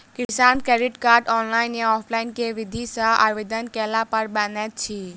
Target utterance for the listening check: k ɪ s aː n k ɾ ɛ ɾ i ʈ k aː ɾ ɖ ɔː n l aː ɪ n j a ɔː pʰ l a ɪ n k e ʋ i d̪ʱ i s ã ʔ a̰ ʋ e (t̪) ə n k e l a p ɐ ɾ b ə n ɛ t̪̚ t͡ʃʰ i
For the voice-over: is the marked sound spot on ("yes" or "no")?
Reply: no